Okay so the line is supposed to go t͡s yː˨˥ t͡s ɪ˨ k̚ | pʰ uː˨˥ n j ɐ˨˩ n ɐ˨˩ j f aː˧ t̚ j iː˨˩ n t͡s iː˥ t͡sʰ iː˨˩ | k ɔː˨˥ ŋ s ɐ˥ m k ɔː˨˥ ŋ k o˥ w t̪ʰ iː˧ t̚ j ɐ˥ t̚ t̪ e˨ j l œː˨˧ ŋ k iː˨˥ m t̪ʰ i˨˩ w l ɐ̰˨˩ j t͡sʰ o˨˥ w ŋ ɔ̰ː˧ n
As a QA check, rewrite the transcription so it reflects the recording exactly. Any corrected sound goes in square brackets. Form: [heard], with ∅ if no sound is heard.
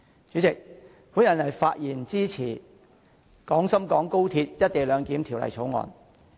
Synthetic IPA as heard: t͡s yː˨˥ t͡s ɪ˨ k̚ | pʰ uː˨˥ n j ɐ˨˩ n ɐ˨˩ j f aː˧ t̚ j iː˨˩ n t͡s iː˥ t͡sʰ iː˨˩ | k ɔː˨˥ ŋ s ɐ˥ m k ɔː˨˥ ŋ k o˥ w t̪ʰ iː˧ t̚ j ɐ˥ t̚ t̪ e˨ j l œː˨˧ ŋ k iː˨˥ m t̪ʰ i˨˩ w l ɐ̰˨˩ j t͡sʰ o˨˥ w ŋ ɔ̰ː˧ n

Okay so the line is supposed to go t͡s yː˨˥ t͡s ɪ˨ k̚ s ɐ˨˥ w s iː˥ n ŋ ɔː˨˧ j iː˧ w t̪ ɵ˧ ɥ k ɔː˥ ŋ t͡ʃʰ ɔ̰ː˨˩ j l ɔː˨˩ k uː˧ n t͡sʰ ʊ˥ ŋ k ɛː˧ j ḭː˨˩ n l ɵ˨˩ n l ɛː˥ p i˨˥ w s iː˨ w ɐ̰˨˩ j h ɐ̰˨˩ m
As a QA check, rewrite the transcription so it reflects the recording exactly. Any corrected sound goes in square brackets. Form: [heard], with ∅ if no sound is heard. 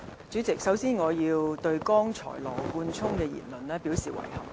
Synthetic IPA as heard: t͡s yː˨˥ t͡s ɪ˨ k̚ s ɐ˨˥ w s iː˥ n ŋ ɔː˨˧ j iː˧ w t̪ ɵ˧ ɥ k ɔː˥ ŋ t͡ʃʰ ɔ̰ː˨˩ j l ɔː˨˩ k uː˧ n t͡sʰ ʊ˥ ŋ k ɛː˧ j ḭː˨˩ n l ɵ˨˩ n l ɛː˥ p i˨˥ w s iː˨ w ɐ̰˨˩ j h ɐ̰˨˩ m

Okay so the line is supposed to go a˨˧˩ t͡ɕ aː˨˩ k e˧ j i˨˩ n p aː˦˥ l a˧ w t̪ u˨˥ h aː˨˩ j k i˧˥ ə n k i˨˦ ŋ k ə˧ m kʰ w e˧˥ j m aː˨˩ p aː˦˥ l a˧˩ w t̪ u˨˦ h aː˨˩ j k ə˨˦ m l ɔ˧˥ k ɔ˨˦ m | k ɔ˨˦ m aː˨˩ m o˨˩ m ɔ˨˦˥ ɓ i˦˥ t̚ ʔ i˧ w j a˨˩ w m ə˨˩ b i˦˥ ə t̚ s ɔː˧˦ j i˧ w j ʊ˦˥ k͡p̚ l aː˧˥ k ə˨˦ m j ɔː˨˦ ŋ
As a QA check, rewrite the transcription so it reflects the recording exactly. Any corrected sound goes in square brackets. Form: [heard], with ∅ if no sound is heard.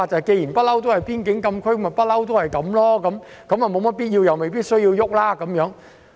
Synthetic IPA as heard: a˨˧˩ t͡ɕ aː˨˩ k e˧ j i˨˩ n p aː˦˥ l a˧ w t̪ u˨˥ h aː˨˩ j [p] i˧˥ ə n k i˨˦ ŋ k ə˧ m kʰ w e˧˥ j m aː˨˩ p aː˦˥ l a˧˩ w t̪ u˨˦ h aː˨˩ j k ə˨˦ m l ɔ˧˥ k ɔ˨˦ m | k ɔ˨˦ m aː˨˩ m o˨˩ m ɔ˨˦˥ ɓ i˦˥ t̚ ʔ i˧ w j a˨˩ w m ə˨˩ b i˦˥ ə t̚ s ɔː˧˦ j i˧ w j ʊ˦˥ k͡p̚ l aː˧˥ k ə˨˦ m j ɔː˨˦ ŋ

